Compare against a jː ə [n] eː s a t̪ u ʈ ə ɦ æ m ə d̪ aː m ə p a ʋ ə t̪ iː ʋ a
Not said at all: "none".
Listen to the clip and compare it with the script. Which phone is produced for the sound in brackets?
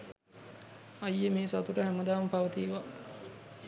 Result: m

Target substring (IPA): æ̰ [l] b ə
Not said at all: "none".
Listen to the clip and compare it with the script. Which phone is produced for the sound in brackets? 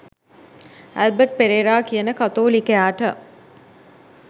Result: l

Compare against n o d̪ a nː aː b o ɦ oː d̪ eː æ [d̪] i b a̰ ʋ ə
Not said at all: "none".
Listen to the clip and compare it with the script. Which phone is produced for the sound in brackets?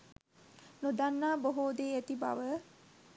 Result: t̪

